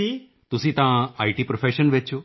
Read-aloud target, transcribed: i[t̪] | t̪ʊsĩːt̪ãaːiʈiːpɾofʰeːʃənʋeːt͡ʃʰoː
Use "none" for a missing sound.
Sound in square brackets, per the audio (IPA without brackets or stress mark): none